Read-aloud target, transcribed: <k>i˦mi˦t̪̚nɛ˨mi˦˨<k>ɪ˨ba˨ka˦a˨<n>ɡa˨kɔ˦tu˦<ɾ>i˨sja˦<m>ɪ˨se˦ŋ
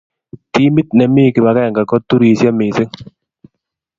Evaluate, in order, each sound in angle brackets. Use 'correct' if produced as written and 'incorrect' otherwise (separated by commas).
incorrect, correct, incorrect, correct, correct